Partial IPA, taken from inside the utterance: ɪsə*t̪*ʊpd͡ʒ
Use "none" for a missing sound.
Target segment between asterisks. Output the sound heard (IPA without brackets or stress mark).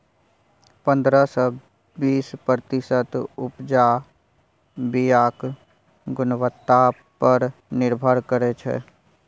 t̪